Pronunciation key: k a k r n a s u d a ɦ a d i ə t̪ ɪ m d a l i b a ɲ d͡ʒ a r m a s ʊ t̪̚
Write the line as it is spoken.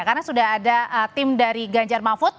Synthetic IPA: k a r n a s u d a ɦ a d a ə t̪ ɪ m d a ɾ i ɡ a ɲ d͡ʒ a r m a f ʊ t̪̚